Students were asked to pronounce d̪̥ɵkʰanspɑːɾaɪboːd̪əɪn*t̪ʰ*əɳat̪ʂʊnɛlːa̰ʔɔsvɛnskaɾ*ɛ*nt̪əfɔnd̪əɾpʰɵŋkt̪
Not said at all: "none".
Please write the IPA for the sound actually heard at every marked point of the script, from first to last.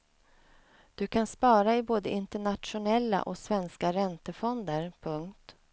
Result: t̪, ɛ

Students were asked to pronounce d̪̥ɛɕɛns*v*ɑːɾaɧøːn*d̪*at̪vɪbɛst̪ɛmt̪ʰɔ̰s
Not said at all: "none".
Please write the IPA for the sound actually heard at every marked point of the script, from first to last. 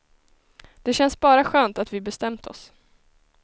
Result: b, t̪

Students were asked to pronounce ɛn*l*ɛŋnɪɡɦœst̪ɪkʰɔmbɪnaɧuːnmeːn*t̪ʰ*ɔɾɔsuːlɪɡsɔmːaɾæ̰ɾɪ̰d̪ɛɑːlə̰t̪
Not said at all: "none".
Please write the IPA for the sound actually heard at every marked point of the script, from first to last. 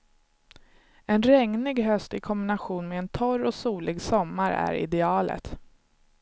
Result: ɾ, t̪ʰ

